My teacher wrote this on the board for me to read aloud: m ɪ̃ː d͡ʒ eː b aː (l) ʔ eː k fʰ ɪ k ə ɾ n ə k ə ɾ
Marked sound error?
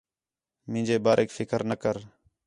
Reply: yes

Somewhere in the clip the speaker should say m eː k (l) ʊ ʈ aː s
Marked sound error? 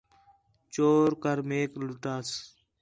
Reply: no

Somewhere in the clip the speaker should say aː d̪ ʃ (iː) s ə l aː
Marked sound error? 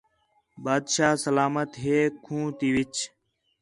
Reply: yes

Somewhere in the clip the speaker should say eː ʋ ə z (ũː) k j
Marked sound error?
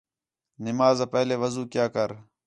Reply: yes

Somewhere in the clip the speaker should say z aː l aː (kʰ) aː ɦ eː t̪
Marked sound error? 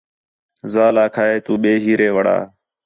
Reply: no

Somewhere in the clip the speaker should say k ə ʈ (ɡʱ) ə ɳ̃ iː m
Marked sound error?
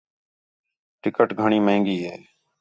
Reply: no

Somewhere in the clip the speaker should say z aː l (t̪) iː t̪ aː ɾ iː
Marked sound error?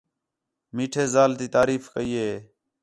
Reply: no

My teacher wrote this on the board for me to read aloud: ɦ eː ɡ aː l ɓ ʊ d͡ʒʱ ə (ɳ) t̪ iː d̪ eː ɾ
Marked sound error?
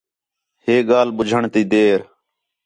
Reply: no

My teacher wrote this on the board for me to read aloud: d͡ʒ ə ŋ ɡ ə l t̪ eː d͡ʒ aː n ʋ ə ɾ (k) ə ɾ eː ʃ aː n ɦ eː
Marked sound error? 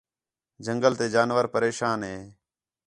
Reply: yes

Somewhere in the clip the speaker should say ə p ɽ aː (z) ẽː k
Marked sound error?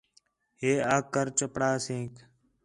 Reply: yes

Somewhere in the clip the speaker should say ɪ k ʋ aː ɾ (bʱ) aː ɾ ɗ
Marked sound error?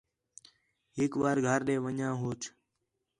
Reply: yes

